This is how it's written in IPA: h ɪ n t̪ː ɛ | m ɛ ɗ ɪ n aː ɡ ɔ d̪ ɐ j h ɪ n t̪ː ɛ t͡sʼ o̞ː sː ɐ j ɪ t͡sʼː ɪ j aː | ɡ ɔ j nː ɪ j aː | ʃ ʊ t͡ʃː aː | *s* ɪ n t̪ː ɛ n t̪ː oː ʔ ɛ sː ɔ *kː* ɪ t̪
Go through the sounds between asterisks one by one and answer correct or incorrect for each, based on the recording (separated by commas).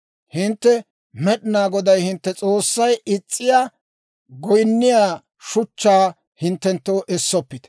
incorrect, incorrect